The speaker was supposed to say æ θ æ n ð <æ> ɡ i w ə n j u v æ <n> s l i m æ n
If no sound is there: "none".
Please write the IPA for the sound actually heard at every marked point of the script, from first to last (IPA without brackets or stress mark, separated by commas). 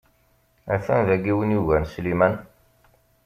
æ, n